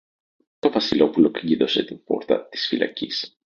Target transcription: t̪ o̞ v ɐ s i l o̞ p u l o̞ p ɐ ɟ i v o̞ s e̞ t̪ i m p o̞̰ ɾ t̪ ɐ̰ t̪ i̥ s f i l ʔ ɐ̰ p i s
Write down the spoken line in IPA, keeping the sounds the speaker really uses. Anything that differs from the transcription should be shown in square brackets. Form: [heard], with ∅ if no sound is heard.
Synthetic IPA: t̪ o̞ v ɐ s i l o̞ p u l o̞ [k] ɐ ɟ i [ð] o̞ s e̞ t̪ i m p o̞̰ ɾ t̪ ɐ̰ t̪ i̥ s f i l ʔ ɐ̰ [c] i s